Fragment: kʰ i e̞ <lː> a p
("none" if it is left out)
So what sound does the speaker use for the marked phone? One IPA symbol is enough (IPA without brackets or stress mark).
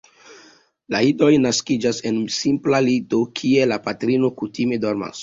l